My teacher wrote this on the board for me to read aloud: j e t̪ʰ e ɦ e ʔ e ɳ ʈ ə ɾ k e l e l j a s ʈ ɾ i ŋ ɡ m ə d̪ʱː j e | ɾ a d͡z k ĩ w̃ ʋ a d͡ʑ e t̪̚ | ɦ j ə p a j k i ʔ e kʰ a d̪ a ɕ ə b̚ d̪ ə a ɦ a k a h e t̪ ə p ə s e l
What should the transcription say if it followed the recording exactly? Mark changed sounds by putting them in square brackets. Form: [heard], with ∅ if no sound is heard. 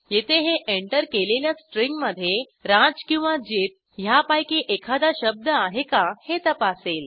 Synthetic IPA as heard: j e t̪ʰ e ɦ e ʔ e ɳ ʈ ə ɾ k e l e l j a s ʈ ɾ i ŋ ɡ m ə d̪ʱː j e | ɾ a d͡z k ĩ w̃ ʋ a d͡ʑ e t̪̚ | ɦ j [a] p a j k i ʔ e kʰ a d̪ a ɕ ə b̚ d̪ ə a ɦ [e] k a h e t̪ ə p [a] s e l